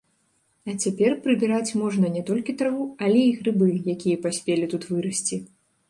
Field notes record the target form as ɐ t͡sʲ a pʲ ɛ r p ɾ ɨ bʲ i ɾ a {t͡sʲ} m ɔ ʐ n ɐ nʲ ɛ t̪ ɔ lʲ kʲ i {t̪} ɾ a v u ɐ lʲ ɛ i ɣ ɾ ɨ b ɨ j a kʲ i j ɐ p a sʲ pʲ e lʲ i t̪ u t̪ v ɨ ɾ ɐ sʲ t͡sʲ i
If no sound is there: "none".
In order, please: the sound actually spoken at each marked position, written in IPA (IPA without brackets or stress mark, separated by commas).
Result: t͡sʲ, t̪